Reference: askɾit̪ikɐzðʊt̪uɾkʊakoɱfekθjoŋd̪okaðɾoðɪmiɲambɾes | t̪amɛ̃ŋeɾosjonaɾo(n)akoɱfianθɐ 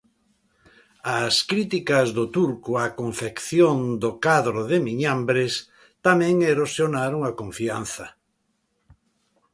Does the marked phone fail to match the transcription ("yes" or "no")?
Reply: yes